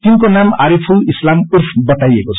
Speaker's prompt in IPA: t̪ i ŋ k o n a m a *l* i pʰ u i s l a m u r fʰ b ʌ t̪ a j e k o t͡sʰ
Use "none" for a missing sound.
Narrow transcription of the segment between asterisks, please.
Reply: ɾ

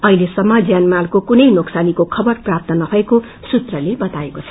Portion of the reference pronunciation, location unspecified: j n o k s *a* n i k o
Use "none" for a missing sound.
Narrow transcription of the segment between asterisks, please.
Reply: a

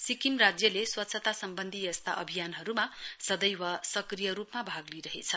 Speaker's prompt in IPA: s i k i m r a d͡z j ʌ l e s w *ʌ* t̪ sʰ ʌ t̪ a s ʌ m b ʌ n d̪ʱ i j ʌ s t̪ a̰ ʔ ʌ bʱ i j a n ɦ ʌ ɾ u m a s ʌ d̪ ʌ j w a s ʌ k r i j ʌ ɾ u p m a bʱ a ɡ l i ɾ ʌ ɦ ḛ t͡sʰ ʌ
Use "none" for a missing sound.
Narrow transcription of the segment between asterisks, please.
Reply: ʌ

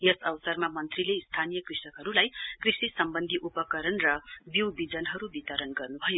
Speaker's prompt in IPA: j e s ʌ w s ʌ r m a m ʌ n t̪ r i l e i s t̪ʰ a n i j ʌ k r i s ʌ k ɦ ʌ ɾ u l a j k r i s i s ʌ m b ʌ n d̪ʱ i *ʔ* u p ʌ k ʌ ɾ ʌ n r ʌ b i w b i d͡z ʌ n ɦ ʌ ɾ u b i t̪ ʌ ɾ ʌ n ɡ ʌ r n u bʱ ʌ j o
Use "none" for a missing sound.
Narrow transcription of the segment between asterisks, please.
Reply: ʔ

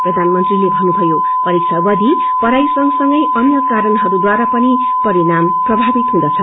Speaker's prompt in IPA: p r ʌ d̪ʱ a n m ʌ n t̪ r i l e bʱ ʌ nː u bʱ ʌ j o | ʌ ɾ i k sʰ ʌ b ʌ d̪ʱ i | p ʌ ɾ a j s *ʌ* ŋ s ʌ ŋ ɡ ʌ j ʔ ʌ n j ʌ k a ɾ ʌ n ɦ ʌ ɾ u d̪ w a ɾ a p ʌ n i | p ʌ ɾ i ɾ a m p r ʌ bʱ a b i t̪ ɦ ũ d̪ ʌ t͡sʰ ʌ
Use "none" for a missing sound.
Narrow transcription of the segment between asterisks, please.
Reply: ʌ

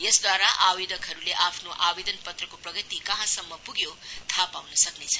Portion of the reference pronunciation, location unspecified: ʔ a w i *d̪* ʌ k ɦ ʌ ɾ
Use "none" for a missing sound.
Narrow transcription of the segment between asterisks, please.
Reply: d̪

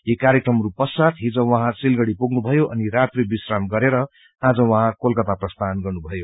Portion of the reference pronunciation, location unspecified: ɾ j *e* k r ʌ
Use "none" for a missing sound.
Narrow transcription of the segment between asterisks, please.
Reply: e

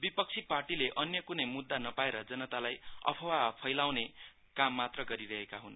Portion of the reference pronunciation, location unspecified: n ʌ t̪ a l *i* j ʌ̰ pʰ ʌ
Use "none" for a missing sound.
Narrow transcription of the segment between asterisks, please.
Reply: a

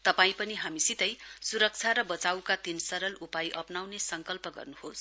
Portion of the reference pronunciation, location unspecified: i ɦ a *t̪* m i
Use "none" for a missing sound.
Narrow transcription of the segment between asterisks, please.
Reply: none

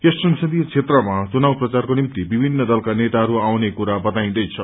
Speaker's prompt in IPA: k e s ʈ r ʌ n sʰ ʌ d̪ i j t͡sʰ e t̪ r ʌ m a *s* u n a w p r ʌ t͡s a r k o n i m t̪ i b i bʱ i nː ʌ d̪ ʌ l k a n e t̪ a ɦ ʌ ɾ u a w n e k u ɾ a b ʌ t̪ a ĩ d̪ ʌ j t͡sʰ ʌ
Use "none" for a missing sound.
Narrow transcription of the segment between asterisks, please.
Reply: t͡s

